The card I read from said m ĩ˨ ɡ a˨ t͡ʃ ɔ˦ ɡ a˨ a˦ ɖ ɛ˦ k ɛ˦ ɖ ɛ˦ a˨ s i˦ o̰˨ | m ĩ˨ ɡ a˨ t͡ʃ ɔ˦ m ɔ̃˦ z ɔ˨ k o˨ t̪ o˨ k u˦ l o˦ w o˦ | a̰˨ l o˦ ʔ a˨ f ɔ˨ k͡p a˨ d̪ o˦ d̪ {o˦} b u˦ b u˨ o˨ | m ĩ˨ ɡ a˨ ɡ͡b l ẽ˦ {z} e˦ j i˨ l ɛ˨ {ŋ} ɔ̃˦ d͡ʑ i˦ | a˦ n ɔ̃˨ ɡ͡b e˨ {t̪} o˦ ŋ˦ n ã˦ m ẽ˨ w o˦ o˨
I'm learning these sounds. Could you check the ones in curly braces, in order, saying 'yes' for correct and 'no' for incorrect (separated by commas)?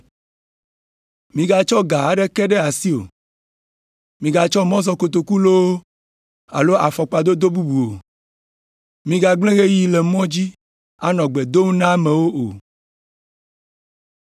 yes, no, no, no